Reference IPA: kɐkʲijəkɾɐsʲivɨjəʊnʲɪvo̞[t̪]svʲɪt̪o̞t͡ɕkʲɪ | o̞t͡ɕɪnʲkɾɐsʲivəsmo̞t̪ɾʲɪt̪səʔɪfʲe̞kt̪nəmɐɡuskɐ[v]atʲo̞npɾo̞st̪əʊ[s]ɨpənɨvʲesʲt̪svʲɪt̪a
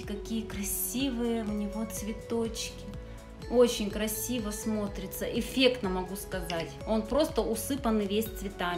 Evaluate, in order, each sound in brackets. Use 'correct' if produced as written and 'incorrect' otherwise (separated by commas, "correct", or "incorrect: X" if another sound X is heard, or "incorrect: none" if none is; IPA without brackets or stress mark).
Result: correct, incorrect: z, correct